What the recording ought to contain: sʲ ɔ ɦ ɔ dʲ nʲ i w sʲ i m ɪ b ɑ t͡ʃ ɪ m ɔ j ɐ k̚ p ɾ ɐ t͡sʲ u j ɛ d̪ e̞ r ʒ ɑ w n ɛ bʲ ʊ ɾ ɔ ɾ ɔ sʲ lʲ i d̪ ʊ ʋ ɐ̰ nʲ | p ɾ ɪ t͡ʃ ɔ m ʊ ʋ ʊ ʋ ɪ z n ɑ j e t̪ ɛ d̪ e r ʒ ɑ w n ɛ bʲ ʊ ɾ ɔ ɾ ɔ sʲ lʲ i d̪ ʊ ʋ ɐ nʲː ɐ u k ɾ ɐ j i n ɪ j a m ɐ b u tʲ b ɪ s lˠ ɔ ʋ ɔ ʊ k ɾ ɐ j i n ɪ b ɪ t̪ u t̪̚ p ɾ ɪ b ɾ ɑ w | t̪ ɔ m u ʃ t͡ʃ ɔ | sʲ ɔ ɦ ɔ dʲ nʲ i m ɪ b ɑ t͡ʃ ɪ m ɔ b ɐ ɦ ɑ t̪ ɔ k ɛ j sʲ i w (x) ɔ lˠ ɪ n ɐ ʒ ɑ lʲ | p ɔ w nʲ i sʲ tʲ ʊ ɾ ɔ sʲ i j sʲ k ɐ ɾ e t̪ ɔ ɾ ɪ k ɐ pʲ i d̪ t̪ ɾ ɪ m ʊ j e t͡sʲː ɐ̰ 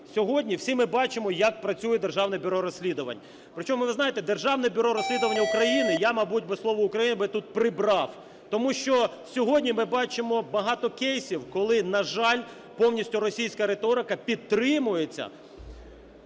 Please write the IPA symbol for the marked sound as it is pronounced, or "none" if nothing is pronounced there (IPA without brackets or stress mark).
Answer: k